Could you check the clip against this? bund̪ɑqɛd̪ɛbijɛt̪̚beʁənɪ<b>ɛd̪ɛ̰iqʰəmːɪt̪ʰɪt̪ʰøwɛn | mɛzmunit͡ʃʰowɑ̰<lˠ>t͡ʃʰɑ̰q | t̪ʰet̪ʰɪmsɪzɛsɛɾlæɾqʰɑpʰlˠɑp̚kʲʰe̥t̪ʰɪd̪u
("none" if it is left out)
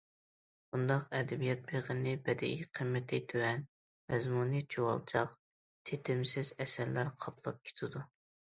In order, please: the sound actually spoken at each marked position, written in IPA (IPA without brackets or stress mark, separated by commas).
b, lˠ